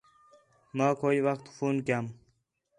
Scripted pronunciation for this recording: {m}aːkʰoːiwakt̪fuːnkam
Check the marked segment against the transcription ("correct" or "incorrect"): correct